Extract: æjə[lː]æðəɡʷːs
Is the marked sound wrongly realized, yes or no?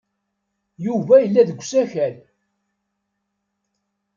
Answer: no